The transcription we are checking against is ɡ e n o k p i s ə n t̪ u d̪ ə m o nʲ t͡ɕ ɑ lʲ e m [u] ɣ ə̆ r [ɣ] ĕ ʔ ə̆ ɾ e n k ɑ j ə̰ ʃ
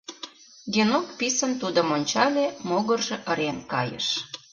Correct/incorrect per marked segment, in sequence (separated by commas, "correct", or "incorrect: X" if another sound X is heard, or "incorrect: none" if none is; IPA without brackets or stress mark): incorrect: o, incorrect: ʒ